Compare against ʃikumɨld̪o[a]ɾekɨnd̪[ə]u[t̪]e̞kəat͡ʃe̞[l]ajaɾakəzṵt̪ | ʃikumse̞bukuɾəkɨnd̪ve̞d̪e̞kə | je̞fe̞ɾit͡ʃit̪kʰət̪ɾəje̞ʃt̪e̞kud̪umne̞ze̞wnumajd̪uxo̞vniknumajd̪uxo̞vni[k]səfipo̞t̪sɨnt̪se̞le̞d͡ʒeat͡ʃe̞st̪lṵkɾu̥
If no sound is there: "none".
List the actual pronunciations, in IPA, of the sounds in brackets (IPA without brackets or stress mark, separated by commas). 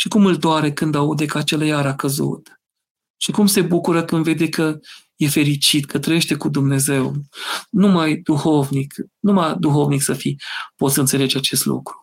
a, a, d̪, l, k